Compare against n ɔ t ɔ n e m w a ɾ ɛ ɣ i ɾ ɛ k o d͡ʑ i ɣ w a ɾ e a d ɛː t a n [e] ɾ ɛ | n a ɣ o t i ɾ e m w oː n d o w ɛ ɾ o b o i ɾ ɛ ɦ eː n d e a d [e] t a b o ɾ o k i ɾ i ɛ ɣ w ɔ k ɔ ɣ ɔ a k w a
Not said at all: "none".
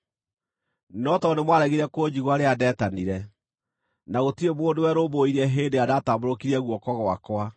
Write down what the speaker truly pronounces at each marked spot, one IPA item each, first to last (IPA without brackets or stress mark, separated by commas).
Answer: i, a